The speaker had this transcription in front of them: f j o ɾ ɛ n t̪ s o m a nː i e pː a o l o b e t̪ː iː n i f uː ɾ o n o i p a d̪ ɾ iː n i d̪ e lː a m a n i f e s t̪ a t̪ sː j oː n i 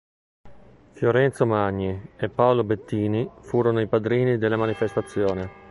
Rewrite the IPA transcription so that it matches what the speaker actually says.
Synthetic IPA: f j o ɾ ɛ n t̪ s o m a ɲː i e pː a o l o b e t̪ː iː n i f uː ɾ o n o i p a d̪ ɾ iː n i d̪ e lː a m a n i f e s t̪ a t̪ sː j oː n e

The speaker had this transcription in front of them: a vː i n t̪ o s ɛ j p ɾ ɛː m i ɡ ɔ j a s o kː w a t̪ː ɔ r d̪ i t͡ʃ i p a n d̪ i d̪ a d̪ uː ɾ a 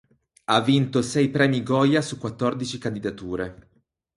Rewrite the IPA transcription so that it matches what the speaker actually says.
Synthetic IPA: a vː i n t̪ o s ɛ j p ɾ ɛː m i ɡ ɔ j a s u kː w a t̪ː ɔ r d̪ i t͡ʃ i k a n d̪ i d̪ a t̪ uː ɾ e

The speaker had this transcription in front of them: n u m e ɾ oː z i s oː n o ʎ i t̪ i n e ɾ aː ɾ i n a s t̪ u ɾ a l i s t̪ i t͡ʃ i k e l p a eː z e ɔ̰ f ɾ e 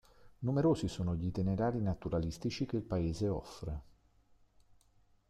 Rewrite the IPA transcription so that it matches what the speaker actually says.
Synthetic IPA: n u m e ɾ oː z i s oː n o ʎ i t̪ i n e ɾ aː ɾ i n a t̪ u ɾ a l i s t̪ i t͡ʃ i k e l p a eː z e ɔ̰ f ɾ e

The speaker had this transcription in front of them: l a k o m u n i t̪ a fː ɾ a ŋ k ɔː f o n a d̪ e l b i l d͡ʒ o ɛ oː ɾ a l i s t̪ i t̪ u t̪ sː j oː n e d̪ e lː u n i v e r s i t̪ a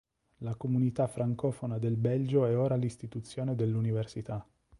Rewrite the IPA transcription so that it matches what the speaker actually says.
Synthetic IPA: l a k o m u n i t̪ a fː ɾ a ŋ k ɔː f o n a d̪ e l b ɛ l d͡ʒ o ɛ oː ɾ a l i s t̪ i t̪ u t̪ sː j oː n e d̪ e lː u n i v e r s i t̪ a

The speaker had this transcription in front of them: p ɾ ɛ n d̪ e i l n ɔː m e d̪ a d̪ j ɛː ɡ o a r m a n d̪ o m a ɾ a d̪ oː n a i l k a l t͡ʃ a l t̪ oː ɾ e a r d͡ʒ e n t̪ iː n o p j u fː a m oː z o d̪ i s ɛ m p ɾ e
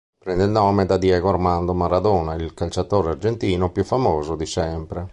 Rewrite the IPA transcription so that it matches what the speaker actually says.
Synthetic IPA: p ɾ ɛ n d̪ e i l n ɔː m e d̪ a d̪ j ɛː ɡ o a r m a n d̪ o m a ɾ a d̪ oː n a i l k a l t͡ʃ a t̪ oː ɾ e a r d͡ʒ e n t̪ iː n o p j u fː a m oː z o d̪ i s ɛ m p ɾ e

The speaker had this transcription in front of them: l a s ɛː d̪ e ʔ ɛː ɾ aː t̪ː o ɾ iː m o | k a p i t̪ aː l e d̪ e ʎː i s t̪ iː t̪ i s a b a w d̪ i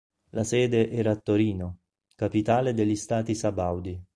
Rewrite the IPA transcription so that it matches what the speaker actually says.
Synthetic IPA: l a s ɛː d̪ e ʔ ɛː ɾ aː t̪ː o ɾ iː n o | k a p i t̪ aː l e d̪ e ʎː i s t̪ aː t̪ i s a b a w d̪ i

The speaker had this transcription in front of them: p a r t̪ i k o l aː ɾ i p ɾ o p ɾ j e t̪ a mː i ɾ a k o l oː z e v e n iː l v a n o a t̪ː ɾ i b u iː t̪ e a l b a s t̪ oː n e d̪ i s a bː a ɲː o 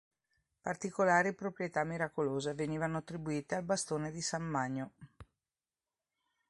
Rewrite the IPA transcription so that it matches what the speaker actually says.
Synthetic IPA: p a r t̪ i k o l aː ɾ i p ɾ o p ɾ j e t̪ a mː i ɾ a k o l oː z e v e n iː v a n o a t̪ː ɾ i b u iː t̪ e a l b a s t̪ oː n e d̪ i s a mː a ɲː o

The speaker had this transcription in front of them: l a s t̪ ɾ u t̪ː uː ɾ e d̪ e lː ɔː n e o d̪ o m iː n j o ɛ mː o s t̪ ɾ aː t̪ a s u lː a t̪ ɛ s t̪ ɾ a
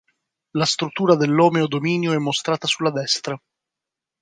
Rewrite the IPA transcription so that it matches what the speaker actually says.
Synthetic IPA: l a s t̪ ɾ u t̪ː uː ɾ a d̪ e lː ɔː m e o d̪ o m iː n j o ɛ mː o s t̪ ɾ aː t̪ a s u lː a d̪ ɛ s t̪ ɾ a

